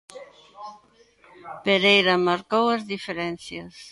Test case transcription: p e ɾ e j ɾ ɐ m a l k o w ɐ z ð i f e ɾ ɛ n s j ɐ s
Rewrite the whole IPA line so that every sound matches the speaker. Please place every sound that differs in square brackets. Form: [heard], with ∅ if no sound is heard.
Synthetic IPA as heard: p e ɾ e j ɾ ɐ m a [ɾ] k o w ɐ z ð i f e ɾ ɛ n [θ] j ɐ s